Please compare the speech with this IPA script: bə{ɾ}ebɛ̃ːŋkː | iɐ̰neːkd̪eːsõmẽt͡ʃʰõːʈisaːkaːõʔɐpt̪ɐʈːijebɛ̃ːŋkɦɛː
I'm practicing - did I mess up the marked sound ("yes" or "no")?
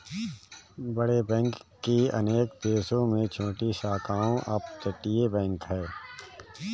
yes